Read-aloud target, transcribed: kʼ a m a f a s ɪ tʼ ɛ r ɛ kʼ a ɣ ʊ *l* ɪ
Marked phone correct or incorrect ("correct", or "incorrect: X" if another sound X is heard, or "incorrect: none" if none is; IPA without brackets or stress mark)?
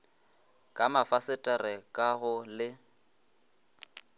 correct